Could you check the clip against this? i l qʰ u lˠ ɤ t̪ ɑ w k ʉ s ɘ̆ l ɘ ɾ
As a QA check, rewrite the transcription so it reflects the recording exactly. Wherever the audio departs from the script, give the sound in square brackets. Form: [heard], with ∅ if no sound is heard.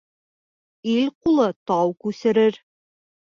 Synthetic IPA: i l [q] u lˠ ɤ t̪ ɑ w k ʉ s ɘ̆ [ɾ] ɘ ɾ